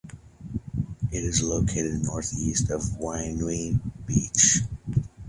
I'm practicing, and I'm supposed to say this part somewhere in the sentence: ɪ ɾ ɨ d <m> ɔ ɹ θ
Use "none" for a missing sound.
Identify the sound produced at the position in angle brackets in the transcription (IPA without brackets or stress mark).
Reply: n